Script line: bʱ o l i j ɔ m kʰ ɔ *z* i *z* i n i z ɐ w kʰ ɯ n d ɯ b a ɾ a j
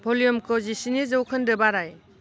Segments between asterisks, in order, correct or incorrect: correct, incorrect: s

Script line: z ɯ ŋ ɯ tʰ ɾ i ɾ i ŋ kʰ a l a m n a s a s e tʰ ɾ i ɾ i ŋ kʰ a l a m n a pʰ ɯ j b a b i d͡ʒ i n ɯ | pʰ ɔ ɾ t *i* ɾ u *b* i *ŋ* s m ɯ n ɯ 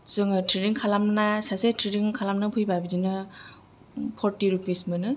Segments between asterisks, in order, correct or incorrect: correct, incorrect: p, incorrect: none

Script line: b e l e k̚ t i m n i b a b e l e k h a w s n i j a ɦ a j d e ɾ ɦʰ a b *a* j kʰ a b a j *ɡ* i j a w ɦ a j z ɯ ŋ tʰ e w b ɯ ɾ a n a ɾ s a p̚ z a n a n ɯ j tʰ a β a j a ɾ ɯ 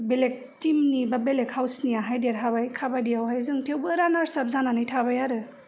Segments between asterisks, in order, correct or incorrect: correct, incorrect: d

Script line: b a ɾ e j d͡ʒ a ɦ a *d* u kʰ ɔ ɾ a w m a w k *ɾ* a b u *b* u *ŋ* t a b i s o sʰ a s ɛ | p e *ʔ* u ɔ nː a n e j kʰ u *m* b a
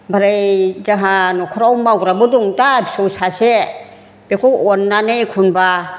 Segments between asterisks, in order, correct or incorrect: incorrect: n, correct, incorrect: d, correct, incorrect: k, incorrect: n

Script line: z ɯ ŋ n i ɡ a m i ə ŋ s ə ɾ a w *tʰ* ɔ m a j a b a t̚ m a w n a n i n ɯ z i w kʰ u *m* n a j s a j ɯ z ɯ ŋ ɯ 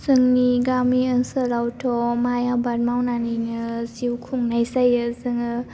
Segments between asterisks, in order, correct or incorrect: correct, incorrect: ŋ

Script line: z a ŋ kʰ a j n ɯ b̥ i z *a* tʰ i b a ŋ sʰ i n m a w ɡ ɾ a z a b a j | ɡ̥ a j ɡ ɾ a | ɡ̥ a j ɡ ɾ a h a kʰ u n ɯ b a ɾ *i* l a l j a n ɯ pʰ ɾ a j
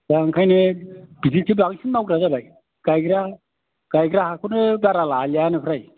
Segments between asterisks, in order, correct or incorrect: incorrect: i, incorrect: a

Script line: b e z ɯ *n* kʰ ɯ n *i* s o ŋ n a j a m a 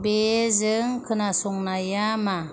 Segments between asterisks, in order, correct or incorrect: incorrect: ŋ, incorrect: a

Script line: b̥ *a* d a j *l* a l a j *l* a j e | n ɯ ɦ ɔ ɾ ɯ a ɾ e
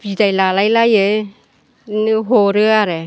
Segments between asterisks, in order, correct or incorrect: incorrect: i, correct, correct

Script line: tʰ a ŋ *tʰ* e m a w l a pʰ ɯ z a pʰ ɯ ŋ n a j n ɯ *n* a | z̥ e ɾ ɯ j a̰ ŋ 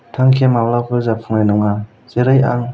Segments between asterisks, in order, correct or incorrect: incorrect: kʰ, incorrect: ŋ

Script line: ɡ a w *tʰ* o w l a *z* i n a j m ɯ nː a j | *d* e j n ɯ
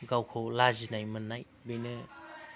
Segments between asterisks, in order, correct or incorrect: incorrect: kʰ, correct, incorrect: b

